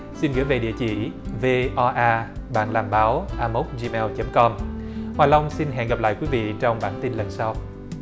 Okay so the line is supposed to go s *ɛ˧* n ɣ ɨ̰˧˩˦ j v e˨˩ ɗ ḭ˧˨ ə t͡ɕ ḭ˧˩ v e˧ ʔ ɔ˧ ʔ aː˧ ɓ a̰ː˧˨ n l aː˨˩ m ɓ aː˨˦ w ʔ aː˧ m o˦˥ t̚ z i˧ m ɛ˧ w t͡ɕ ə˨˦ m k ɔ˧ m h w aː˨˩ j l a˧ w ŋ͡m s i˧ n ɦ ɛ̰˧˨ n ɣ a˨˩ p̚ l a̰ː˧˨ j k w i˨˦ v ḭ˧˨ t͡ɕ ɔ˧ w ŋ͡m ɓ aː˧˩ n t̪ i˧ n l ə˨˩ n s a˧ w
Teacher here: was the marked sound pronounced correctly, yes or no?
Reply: no